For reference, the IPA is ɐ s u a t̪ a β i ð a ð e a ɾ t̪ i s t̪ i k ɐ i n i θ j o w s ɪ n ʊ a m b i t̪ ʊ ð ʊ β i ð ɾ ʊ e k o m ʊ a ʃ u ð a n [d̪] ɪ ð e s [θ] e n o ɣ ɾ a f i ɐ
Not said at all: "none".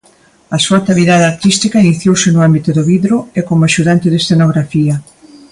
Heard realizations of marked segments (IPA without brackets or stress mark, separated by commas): t̪, θ